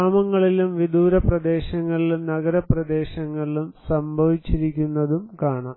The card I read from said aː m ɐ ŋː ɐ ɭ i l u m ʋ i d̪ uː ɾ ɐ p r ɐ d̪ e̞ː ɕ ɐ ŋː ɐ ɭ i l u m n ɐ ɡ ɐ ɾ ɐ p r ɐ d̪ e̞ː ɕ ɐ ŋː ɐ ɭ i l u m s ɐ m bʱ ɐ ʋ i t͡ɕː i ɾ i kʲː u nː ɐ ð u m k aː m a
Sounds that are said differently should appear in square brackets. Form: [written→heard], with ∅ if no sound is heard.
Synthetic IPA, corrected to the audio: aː m ɐ ŋː ɐ ɭ i l u m ʋ i d̪ uː ɾ ɐ p r ɐ d̪ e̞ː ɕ ɐ ŋː ɐ ɭ i l u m n ɐ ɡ ɐ ɾ ɐ p r ɐ d̪ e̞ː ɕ ɐ ŋː ɐ ɭ i l u m s ɐ m bʱ ɐ ʋ i t͡ɕː i ɾ i kʲː u nː ɐ ð u m k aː [m→ɳ] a